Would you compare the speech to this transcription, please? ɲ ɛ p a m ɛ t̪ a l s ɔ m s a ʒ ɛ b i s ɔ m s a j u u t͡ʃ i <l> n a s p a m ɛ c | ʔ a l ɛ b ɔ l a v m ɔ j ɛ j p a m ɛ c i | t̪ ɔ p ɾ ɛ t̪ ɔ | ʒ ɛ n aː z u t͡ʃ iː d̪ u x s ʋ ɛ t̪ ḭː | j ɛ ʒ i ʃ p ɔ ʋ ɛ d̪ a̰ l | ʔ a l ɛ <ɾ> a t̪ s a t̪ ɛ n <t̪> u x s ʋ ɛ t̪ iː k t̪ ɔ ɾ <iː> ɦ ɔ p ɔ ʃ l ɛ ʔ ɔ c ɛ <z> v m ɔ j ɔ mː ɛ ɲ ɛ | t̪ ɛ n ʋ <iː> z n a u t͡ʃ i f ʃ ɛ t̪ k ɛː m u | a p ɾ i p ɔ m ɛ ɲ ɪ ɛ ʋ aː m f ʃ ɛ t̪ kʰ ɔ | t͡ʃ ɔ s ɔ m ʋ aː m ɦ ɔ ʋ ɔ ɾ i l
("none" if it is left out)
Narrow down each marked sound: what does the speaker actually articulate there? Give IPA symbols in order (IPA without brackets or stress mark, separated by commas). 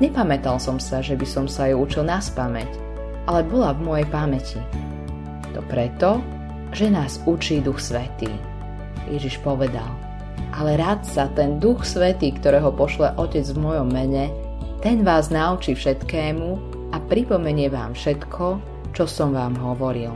l, ɾ, d̪, ɛː, d͡z, aː